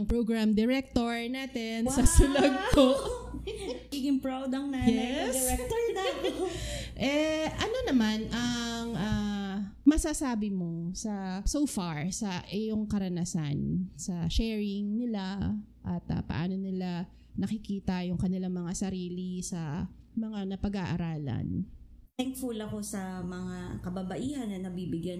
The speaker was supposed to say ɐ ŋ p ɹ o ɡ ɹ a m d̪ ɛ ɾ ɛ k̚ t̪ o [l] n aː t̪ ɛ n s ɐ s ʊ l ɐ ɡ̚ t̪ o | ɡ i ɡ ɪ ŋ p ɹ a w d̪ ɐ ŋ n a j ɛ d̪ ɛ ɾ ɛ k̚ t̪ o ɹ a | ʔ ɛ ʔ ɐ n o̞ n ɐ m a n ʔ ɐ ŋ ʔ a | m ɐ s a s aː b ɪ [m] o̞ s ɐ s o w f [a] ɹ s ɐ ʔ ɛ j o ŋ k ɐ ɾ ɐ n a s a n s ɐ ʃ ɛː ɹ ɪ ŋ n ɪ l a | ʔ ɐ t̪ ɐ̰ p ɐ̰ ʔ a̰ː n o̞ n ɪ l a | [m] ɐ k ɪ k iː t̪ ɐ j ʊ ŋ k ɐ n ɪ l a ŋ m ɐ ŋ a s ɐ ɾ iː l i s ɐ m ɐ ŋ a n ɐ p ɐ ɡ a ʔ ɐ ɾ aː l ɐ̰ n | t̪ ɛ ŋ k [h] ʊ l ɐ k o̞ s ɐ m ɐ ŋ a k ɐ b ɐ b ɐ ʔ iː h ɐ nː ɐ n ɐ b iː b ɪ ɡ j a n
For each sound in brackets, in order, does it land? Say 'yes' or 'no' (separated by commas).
no, yes, yes, no, no